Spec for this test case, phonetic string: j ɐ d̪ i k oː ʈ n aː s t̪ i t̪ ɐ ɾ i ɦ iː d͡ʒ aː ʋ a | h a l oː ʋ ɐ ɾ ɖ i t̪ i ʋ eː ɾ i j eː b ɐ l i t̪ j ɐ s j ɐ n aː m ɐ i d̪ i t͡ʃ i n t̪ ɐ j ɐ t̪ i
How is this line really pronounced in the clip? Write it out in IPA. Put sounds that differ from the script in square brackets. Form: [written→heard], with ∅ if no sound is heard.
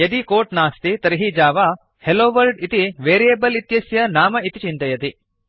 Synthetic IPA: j ɐ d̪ i k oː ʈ n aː s t̪ i t̪ ɐ ɾ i ɦ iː d͡ʒ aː ʋ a | h [a→e] l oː ʋ ɐ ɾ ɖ i t̪ i ʋ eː ɾ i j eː b ɐ l i t̪ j ɐ s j ɐ n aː m ɐ i [d̪→t̪] i t͡ʃ i n t̪ ɐ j ɐ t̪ i